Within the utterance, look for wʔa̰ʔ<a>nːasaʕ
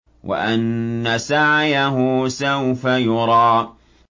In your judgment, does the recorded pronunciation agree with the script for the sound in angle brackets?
yes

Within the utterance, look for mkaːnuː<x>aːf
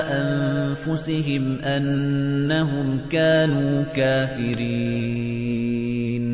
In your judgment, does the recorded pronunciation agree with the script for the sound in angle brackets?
no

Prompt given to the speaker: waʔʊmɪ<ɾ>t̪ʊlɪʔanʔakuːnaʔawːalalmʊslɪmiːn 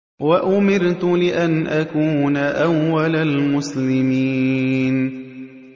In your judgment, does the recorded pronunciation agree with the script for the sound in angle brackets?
yes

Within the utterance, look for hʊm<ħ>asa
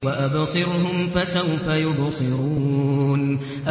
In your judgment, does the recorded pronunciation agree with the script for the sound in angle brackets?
no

